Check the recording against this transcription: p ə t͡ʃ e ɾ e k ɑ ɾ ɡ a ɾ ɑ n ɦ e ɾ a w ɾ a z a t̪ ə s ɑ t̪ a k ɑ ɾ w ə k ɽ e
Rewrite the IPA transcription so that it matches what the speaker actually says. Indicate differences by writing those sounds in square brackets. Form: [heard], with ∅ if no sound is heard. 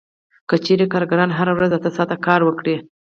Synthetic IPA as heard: [k] ə t͡ʃ e ɾ e k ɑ ɾ ɡ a ɾ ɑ n ɦ [a] ɾ a w ɾ a z a t̪ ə s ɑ t̪ a k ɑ ɾ w ə k ɽ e